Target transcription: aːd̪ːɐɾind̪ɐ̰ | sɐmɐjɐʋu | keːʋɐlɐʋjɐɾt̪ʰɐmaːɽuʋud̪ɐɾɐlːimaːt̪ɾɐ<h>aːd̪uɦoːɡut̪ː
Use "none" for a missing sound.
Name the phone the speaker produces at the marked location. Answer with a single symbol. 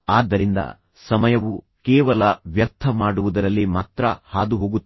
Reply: h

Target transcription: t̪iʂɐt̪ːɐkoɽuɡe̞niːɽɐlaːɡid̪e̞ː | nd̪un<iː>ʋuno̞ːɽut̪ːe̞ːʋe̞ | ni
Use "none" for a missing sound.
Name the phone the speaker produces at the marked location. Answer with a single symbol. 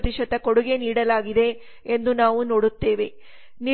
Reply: aː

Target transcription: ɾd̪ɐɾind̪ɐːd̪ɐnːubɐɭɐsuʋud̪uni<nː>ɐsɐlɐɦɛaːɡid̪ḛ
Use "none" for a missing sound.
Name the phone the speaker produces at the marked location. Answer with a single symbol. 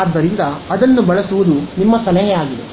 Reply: mː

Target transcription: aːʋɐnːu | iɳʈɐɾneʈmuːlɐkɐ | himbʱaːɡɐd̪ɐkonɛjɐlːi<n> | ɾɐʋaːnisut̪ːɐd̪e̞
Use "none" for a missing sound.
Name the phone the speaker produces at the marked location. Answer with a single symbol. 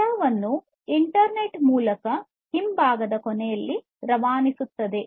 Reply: none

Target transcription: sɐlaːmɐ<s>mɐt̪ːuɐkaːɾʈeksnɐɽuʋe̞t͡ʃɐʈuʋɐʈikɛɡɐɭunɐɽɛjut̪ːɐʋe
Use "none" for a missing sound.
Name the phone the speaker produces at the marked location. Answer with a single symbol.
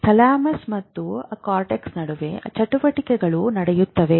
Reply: s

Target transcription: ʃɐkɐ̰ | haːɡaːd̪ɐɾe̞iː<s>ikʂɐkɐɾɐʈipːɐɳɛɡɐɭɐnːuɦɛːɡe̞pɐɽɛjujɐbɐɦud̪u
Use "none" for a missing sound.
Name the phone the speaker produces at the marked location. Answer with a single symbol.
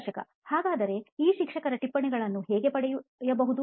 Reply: ʃ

